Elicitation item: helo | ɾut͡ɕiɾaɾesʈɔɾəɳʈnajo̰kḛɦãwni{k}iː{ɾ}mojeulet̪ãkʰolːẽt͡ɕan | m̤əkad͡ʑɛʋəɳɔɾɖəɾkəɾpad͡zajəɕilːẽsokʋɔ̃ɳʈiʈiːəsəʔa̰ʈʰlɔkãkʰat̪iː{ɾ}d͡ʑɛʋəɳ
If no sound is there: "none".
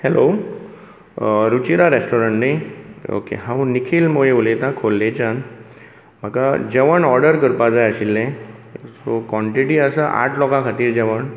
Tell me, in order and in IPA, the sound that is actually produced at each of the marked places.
kʰ, l, ɾ

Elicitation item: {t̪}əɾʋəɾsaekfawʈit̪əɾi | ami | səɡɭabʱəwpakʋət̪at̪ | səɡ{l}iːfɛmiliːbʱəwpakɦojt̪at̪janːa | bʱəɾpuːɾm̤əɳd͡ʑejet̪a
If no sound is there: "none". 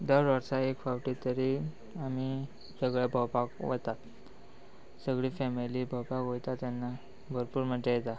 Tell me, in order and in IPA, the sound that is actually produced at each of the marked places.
d̪, ɭ

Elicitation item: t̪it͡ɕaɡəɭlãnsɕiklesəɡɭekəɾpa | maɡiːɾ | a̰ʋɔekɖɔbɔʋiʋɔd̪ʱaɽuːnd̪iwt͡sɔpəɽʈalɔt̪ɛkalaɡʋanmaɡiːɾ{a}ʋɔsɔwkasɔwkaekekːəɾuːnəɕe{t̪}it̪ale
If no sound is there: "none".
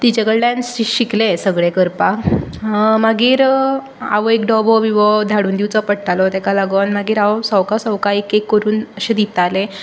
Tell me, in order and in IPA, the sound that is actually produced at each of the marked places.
a, d̪

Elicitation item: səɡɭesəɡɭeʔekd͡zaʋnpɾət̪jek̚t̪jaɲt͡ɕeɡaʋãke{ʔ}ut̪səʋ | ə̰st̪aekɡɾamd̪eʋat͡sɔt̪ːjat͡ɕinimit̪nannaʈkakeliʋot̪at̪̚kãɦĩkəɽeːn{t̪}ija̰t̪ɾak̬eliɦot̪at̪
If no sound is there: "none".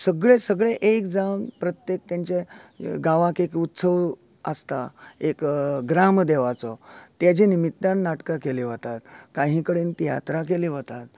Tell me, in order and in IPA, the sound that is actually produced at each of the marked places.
k, t̪

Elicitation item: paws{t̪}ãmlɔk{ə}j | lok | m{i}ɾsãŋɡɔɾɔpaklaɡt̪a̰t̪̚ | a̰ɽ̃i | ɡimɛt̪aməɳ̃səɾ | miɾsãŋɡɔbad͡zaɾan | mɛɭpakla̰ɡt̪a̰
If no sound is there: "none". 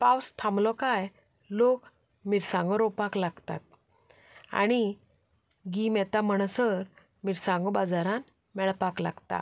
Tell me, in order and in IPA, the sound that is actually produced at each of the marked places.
t̪ʰ, a, i

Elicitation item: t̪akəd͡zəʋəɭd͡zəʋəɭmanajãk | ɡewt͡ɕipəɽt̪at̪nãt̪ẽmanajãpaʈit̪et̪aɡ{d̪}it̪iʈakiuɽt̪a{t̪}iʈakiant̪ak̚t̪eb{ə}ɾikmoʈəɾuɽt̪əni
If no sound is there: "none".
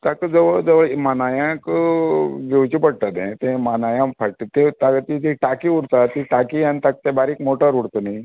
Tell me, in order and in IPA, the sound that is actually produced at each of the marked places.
t̪, t̪, a

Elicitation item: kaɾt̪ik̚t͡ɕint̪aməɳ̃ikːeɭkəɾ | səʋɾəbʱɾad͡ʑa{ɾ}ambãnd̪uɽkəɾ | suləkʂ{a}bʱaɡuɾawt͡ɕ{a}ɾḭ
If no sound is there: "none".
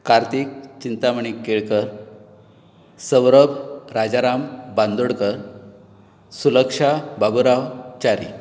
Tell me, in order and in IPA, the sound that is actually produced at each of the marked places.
ɾ, a, a

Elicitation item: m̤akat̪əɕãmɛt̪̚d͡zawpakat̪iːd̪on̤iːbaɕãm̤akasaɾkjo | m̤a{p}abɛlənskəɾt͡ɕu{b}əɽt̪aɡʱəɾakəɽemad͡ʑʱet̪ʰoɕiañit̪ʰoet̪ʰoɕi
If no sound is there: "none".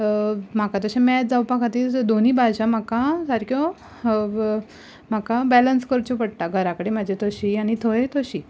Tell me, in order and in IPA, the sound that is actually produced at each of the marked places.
k, p

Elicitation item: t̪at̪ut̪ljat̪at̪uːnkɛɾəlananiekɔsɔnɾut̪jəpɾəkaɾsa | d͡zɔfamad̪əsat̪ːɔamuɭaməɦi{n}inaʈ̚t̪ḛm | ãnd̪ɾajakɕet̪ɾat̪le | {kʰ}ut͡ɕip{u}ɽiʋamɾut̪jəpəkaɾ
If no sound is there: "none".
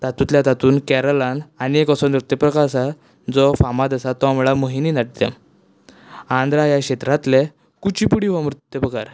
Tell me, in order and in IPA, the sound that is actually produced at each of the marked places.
n, k, u

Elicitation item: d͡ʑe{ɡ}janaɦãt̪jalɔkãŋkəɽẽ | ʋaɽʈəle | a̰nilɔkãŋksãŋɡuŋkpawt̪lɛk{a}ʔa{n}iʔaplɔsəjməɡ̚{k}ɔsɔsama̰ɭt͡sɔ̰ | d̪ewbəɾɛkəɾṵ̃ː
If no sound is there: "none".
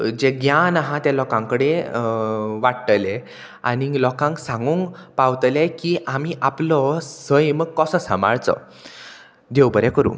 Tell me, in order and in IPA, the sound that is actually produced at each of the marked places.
ɡ, i, m, k

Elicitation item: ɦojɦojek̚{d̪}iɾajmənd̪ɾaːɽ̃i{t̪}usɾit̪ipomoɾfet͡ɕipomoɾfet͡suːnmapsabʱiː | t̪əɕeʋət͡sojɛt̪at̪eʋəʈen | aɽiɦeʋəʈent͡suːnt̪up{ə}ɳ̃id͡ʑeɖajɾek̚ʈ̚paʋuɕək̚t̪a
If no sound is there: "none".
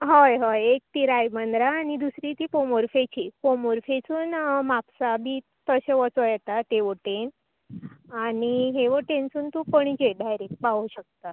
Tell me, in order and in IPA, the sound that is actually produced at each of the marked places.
t̪, d̪, ə

